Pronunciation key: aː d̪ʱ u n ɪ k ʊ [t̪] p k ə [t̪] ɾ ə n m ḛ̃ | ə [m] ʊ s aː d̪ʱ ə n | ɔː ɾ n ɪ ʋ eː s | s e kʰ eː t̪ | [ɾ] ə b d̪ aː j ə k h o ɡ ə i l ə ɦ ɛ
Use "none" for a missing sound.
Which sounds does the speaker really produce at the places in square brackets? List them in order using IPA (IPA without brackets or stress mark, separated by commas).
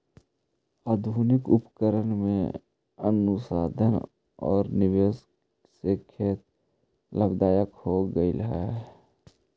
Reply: none, none, n, l